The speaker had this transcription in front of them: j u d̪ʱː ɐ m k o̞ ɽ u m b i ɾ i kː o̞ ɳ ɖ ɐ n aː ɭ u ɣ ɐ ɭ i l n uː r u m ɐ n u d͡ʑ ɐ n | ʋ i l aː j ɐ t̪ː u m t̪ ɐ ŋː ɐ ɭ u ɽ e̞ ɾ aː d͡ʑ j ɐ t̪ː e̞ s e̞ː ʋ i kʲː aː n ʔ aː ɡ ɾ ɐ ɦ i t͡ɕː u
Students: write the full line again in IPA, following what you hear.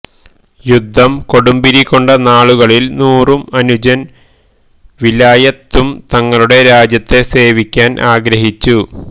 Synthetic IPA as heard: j u d̪ʱː ɐ m k o̞ ɽ u m b i ɾ i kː o̞ ɳ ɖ ɐ n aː ɭ u ɣ ɐ ɭ i l n uː r u m ɐ n u d͡ʑ ɐ n | ʋ i l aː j ɐ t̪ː u m t̪ ɐ ŋː ɐ ɭ u ɽ e̞ ɾ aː d͡ʑ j ɐ t̪ː e̞ s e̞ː ʋ i kʲː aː n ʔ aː ɡ ɾ ɐ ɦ i t͡ɕː u